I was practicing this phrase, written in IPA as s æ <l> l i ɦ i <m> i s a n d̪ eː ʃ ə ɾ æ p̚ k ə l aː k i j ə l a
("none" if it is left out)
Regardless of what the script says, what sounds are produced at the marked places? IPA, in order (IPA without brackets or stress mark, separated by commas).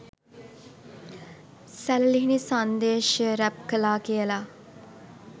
l, n